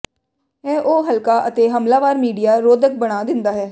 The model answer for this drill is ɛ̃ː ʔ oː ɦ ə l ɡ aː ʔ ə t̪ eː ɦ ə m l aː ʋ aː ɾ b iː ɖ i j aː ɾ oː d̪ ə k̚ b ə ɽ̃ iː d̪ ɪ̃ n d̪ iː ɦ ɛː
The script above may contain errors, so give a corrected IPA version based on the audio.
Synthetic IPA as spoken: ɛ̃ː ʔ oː ɦ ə l k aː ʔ ə t̪ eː ɦ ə m l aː ʋ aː ɾ m iː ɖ i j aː ɾ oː d̪ ə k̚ b ə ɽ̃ aː d̪ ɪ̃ n d̪ aː ɦ ɛː